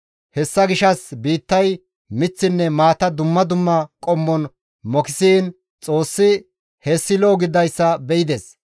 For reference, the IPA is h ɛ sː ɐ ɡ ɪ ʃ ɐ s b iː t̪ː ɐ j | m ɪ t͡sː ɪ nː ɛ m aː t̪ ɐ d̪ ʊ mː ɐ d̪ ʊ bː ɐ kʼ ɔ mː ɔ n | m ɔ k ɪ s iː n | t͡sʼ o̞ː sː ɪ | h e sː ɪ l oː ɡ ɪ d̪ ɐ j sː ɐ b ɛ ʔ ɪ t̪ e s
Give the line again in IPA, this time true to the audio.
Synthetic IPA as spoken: h ɛ sː ɐ ɡ ɪ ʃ ɐ s b iː t̪ː ɐ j | m ɪ t͡sː ɪ nː ɛ m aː t̪ ɐ d̪ ʊ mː ɐ d̪ ʊ mː ɐ kʼ ɔ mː ɔ n | m ɔ k ɪ s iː n | t͡sʼ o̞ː sː ɪ | h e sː ɪ l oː ɡ ɪ d̪ ɐ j sː ɐ b ɛ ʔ ɪ d̪ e s